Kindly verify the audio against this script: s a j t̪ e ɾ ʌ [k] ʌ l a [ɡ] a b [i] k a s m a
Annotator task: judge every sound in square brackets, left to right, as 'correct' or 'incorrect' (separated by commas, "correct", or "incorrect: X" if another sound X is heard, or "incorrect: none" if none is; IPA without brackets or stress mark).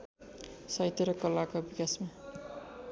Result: correct, incorrect: k, correct